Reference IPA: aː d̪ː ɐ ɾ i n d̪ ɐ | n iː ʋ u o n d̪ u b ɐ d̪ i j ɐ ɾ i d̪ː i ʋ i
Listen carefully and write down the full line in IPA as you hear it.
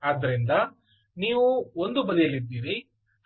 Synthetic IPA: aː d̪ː ɐ ɾ i n d̪ ɐ | n iː ʋ u o n d̪ u b ɐ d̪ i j ɐ l i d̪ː iː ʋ i

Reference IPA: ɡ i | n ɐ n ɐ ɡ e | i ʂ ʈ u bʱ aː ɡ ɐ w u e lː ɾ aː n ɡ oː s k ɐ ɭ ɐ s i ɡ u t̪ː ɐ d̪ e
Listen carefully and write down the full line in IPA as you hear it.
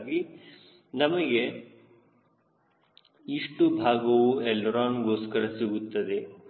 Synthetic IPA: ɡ i | n ɐ m ɐ ɡ e | i ʂ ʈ u bʱ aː ɡ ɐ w u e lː ɾ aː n ɡ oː s k ɐ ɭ ɐ s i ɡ u t̪ː ɐ d̪ e

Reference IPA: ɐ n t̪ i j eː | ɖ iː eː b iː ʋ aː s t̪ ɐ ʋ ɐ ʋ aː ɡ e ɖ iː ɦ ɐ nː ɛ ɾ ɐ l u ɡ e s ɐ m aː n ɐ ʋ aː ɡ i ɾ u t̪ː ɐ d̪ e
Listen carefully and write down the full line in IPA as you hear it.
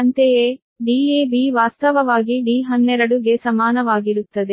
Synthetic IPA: ɐ n t̪ e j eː | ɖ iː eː b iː ʋ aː s t̪ ɐ ʋ ɐ ʋ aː ɡ i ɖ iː ɦ ɐ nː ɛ ɾ ɐ ɽ u ɡ e s ɐ m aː n ɐ ʋ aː ɡ i ɾ u t̪ː ɐ d̪ e

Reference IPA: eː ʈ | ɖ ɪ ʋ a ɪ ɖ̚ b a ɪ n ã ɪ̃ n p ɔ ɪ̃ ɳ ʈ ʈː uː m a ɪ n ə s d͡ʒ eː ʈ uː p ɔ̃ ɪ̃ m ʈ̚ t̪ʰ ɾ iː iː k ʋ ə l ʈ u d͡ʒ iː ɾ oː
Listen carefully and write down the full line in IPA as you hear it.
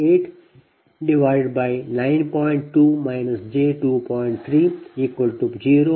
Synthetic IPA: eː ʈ | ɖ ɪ ʋ a ɪ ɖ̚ b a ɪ n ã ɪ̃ n p ɔ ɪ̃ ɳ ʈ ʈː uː m a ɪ n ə s d͡ʒ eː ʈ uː p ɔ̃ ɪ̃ ɳ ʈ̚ t̪ʰ ɾ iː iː k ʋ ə l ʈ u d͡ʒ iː ɾ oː

